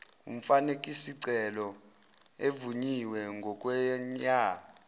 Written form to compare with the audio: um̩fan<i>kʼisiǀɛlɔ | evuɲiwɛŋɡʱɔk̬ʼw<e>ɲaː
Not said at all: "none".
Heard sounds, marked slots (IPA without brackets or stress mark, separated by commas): e, ɛ